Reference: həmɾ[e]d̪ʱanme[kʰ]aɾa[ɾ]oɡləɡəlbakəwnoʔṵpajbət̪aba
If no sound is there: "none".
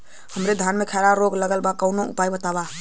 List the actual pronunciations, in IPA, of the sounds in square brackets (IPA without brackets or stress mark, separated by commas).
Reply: e, kʰ, ɾ